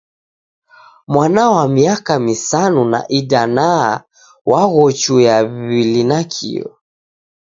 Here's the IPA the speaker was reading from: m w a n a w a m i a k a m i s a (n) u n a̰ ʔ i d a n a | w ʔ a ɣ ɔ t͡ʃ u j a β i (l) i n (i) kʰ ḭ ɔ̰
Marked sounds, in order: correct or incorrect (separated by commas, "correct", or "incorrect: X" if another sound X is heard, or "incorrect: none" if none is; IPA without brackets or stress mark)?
correct, correct, incorrect: a